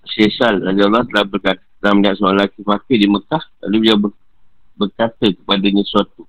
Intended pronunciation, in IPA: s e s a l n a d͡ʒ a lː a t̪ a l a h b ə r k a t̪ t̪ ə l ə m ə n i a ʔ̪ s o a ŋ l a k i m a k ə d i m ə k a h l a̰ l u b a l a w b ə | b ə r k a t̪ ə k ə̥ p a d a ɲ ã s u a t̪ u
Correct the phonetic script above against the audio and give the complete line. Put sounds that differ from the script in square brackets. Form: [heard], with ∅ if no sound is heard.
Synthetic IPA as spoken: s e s a l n a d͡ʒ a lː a t̪ [ə] l a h b ə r k a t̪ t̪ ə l [a] m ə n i a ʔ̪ s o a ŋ l a k i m a k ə d i m ə k a h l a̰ l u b [i] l a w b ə | b ə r k a t̪ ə k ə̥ p a d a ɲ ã s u a t̪ u